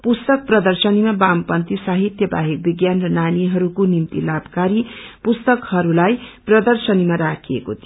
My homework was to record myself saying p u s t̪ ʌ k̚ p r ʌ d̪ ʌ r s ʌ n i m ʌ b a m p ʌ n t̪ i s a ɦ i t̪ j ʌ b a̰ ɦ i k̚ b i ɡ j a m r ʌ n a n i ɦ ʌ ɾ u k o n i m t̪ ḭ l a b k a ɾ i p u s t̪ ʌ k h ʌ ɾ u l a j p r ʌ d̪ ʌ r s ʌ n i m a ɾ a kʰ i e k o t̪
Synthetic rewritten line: p u s t̪ ʌ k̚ p r ʌ d̪ ʌ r s ʌ n i m a b a m p ʌ n t̪ i s a ɦ i t̪ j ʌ b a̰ ɦ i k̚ b i ɡ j a n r ʌ n a n i ɦ ʌ ɾ u k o n i m t̪ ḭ l a b k a ɾ i p u s t̪ ʌ k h ʌ ɾ u l a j p r ʌ d̪ ʌ r s ʌ n i m a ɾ a kʰ i e k o t̪